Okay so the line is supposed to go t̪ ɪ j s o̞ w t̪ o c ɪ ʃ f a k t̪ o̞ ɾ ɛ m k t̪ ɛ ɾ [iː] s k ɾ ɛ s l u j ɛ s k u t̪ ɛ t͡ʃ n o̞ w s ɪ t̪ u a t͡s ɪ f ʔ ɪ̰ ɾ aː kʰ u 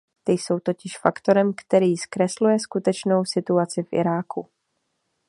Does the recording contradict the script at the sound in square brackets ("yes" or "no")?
no